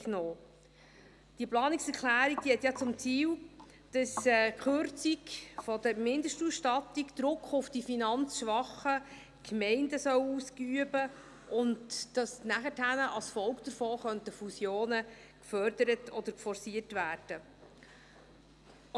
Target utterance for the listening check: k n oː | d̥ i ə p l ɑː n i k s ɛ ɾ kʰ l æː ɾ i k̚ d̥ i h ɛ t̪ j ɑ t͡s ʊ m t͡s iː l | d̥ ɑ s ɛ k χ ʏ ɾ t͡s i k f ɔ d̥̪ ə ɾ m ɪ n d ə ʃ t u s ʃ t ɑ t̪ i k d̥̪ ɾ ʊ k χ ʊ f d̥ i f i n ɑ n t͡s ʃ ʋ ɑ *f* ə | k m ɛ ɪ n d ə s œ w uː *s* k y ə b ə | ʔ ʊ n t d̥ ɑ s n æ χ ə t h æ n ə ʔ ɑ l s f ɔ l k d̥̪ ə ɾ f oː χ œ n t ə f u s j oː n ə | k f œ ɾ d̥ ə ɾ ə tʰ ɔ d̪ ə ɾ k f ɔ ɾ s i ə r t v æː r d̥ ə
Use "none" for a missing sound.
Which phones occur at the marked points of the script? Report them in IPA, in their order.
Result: χ, s

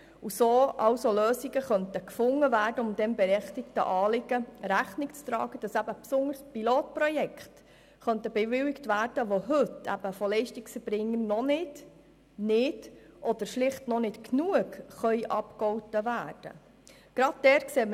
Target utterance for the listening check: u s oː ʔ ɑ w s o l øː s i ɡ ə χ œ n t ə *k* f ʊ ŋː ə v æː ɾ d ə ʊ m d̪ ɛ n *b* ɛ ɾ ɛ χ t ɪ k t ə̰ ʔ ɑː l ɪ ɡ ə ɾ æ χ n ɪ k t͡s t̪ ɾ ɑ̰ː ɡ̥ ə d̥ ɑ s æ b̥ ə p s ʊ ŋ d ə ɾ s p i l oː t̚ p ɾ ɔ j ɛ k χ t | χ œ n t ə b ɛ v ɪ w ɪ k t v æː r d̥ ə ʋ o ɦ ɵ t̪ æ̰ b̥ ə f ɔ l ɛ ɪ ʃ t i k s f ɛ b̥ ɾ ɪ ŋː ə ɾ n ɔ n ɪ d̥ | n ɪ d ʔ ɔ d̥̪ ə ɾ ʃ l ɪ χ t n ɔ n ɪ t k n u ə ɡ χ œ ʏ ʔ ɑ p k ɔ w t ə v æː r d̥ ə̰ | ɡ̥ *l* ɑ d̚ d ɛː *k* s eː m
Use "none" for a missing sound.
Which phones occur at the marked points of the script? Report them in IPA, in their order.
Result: k, b, ɾ, k

